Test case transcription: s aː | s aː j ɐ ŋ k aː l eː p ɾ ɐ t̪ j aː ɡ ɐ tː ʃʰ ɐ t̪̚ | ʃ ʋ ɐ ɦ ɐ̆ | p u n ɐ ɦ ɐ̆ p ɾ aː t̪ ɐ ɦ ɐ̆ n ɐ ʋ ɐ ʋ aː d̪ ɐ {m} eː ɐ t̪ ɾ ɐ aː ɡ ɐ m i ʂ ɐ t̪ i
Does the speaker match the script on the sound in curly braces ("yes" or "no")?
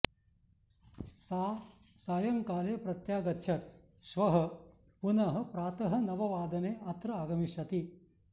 no